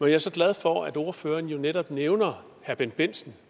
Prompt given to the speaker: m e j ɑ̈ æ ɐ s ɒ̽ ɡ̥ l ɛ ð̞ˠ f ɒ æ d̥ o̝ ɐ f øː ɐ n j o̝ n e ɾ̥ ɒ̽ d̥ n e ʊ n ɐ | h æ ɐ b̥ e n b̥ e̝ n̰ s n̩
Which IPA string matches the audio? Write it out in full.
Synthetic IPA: m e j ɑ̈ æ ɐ s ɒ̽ ɡ̥ l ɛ ð̞ˠ f ɒ æ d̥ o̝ ɐ f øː ɐ n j o̝ n e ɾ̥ ɒ̽ b̥ n e ʊ n ɐ | h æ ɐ b̥ e n b̥ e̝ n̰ s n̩

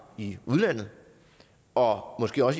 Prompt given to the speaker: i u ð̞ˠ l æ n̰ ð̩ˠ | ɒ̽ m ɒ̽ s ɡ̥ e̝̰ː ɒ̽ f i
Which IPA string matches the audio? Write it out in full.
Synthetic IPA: i u ð̞ˠ l æ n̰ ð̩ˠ | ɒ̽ m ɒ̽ s ɡ̥ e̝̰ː ɒ̽ s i

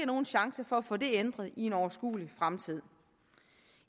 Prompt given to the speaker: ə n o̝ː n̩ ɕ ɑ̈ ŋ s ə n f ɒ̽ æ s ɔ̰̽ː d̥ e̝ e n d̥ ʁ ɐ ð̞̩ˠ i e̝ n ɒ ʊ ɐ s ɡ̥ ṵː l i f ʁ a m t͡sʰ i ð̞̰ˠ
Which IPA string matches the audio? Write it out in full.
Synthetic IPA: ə n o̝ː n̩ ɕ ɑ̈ ŋ s ə f ɒ̽ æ f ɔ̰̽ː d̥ e̝ e n d̥ ʁ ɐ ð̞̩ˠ i e̝ n ɒ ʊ ɐ s ɡ̥ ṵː l i f ʁ a m t͡sʰ i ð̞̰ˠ

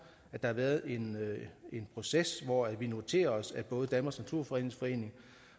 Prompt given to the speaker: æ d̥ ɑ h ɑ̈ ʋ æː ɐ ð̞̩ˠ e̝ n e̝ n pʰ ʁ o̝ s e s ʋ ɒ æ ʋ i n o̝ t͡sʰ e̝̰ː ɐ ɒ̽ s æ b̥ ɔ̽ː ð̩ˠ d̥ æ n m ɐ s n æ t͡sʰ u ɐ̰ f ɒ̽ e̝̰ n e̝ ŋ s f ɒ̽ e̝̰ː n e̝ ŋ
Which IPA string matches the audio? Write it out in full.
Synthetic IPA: æ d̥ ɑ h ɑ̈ ʋ æː ɐ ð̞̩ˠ e̝ n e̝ n pʰ ʁ o̝ s e s ʋ ɒ æ ʋ i n o̝ t͡sʰ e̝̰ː ɐ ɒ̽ s æ b̥ ɔ̽ː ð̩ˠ d̥ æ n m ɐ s n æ t͡sʰ u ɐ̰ f ɒ̽ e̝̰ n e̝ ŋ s f ɒ̽ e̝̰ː n e̝ ŋ

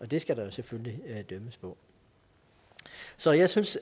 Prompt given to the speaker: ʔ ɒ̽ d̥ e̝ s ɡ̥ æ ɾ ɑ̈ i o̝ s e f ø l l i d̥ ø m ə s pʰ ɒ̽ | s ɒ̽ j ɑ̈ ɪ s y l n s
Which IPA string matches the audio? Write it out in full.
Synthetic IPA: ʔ ɒ̽ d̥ e̝ s ɡ̥ æ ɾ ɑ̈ j o̝ s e f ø l l i d̥ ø m ə s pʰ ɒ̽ | s ɒ̽ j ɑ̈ ɪ s y n s

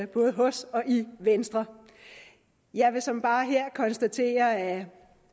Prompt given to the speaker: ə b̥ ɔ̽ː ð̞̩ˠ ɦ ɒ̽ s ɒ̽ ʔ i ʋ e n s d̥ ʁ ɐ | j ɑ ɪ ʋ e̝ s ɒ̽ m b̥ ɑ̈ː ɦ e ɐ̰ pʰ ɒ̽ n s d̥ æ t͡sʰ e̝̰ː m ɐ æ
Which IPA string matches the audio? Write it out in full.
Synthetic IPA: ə b̥ ɔ̽ː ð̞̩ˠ ɦ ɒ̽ s ɒ̽ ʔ i ʋ e n s d̥ ʁ ɐ | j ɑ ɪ ʋ e̝ s ɒ̽ m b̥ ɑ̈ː ɦ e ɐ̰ kʰ ɒ̽ n s d̥ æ t͡sʰ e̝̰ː ɐ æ

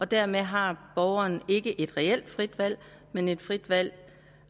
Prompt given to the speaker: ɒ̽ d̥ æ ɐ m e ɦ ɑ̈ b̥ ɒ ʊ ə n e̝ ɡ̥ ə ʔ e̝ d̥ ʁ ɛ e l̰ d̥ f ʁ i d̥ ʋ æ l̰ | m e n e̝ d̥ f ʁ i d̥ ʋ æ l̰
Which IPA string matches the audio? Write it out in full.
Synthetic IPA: ɒ̽ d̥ æ ɐ m e ɦ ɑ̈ b̥ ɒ ʊ ɐ n e̝ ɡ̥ ə ʔ e̝ d̥ ʁ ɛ e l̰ d̥ f ʁ i d̥ ʋ æ l̰ | m e n e̝ d̥ f ʁ i d̥ ʋ æ l̰

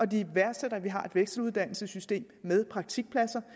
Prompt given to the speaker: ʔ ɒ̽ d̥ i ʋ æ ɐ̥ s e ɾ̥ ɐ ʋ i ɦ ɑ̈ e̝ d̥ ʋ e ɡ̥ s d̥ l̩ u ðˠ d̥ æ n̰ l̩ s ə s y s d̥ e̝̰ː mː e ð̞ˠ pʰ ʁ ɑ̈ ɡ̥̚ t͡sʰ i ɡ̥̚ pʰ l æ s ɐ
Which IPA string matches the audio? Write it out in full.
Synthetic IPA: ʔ ɒ̽ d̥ i ʋ æ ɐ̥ s e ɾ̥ ɐ ʋ i ɦ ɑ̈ e̝ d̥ ʋ e ɡ̥ s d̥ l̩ u ðˠ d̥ æ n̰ l̩ s ə s y s d̥ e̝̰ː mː e ð̞ˠ pʰ ʁ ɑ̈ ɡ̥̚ t͡sʰ i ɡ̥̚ pʰ l æ s ɐ

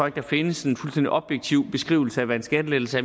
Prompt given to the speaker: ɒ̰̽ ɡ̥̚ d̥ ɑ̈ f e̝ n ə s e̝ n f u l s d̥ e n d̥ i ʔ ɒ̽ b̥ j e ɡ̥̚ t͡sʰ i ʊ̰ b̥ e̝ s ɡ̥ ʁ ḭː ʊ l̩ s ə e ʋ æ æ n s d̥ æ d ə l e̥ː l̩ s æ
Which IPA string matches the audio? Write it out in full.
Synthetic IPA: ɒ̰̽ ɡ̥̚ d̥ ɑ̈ f e̝ n ə s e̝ n f u l s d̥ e n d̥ i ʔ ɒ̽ b̥ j e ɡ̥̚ t͡sʰ i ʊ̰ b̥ e̝ s ɡ̥ ʁ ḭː ʊ l̩ s ə æ ʋ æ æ n s ɡ̥ æ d ə l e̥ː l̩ s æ

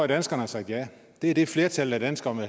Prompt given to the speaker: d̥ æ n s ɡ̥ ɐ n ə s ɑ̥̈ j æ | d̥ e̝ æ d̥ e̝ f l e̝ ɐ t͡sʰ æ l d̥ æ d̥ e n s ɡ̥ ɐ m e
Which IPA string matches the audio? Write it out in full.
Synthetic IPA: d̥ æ n s ɡ̥ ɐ n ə s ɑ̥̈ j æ | d̥ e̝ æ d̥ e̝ f l e̝ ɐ t͡sʰ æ l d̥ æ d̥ æ n s ɡ̥ ɐ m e

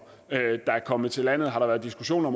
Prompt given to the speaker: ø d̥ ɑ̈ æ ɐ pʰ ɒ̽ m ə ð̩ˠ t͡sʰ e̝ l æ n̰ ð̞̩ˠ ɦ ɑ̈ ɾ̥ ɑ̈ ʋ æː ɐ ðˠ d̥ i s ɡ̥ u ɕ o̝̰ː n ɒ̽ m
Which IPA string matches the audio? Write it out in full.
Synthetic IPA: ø d̥ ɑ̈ æ ɐ kʰ ɒ̽ m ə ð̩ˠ t͡sʰ e̝ l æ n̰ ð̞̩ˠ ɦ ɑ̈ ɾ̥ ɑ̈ ʋ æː ɐ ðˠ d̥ i s ɡ̥ u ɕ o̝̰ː n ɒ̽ m

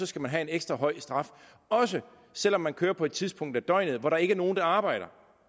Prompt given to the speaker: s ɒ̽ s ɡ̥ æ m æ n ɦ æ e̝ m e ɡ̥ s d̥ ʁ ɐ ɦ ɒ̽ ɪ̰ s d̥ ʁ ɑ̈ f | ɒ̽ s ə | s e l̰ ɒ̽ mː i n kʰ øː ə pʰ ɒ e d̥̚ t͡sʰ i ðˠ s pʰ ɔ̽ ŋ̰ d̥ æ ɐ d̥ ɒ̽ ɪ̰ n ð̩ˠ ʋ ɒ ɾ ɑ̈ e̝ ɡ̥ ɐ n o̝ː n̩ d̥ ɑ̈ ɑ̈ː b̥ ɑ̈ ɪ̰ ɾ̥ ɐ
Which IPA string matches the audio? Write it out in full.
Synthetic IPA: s ɒ̽ s ɡ̥ æ m æ n ɦ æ e̝ n e ɡ̥ s d̥ ʁ ɐ ɦ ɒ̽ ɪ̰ s d̥ ʁ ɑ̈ f | ɒ̽ s ə | s e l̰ ɒ̽ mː æ n kʰ øː ɐ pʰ ɒ e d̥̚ t͡sʰ i ðˠ s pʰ ɔ̽ ŋ̰ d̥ æ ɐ d̥ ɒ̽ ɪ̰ n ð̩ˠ ʋ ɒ ɾ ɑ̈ e̝ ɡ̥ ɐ n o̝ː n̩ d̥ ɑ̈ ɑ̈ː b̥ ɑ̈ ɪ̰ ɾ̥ ɐ

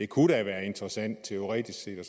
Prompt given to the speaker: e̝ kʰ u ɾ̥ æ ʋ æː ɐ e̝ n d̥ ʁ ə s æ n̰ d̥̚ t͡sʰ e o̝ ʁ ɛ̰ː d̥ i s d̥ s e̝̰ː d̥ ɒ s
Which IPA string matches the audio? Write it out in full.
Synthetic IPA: e̝ kʰ u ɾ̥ æ ʋ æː ɐ e̝ n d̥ ʁ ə s æ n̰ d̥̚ t͡sʰ e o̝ ʁ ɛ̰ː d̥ i s ɡ̥ s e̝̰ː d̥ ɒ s

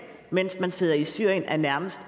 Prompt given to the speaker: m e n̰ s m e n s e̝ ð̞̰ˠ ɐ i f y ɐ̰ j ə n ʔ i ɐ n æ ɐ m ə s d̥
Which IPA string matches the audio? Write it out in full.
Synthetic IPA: m e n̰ s m æ n s e̝ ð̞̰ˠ ɐ i s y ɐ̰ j ə n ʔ æ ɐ n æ ɐ m ə s d̥

